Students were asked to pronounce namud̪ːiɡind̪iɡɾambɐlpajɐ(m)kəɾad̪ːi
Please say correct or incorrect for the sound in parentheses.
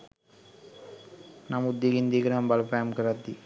correct